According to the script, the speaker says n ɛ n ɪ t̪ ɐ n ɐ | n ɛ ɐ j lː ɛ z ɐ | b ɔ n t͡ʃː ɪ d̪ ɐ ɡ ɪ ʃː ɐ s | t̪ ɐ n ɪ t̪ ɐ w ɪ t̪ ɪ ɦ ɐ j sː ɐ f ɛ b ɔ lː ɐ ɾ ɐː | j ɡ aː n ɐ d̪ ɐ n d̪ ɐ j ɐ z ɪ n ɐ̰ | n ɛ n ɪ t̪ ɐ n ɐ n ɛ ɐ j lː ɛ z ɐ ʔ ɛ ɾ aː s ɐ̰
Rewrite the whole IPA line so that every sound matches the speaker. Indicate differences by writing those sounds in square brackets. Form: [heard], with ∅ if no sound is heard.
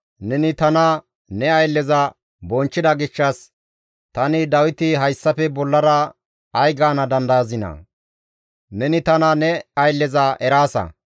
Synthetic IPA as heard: n ɛ n ɪ t̪ ɐ n ɐ | n ɛ ɐ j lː ɛ z ɐ | b ɔ n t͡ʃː ɪ d̪ ɐ ɡ ɪ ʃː ɐ s | t̪ ɐ n ɪ [d̪] ɐ w ɪ t̪ ɪ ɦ ɐ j sː ɐ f ɛ b ɔ lː ɐ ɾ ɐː | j ɡ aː n ɐ d̪ ɐ n d̪ ɐ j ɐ z ɪ n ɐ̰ | n ɛ n ɪ t̪ ɐ n ɐ n ɛ ɐ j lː ɛ z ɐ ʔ ɛ ɾ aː s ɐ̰